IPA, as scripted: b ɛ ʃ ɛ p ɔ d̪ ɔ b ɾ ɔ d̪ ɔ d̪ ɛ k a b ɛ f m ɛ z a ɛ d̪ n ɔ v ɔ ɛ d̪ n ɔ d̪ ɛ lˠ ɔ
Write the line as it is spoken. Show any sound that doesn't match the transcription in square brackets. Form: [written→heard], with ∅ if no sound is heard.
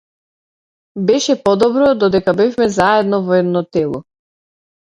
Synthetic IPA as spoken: b ɛ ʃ ɛ p ɔ d̪ ɔ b ɾ ɔ d̪ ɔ d̪ ɛ k a b ɛ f m ɛ z a ɛ d̪ n ɔ v ɔ ɛ d̪ n ɔ [d̪→t̪] ɛ lˠ ɔ

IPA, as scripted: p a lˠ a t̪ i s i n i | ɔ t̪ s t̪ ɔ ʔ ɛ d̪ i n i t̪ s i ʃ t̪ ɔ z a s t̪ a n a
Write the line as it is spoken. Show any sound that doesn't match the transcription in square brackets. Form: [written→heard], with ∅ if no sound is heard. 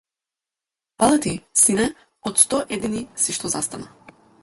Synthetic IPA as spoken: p a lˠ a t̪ i s i n [i→ɛ] | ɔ t̪ s t̪ ɔ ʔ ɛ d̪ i n i [t̪→∅] s i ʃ t̪ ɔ z a s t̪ a n a

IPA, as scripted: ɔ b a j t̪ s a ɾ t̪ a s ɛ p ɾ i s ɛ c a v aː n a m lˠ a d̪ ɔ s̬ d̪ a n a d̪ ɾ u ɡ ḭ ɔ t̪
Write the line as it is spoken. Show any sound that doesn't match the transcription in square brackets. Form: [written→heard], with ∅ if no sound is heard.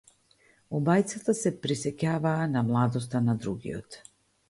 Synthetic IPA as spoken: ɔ b a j t̪ s a [ɾ→∅] t̪ a s ɛ p ɾ i s ɛ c a v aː n a m lˠ a d̪ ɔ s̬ [d̪→t̪] a n a d̪ ɾ u ɡ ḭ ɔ t̪

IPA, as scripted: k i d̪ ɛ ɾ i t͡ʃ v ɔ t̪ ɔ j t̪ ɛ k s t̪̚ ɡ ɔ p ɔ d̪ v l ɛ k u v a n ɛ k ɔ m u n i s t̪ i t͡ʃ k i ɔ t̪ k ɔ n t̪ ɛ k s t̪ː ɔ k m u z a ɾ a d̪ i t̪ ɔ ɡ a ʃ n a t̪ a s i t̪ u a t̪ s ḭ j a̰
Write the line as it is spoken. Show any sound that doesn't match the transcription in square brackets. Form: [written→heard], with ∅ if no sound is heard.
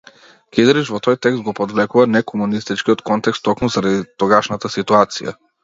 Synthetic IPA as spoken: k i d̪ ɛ ɾ i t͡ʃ v ɔ t̪ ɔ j t̪ ɛ k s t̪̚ ɡ ɔ p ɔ d̪ v l ɛ k u v a n ɛ k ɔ m u n i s t̪ i t͡ʃ k i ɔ t̪ k ɔ n t̪ ɛ k s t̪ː ɔ k m u z a ɾ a d̪ i t̪ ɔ ɡ a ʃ n a t̪ a s i t̪ u a t̪ s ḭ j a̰

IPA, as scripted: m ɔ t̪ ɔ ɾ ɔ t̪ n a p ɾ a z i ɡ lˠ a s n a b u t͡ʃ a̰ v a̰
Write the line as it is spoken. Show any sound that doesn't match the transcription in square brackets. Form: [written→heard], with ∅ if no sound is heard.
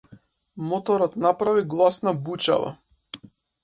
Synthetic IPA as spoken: m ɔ t̪ ɔ ɾ ɔ t̪ n a p ɾ a [z→v] i ɡ lˠ a s n a b u t͡ʃ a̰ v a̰

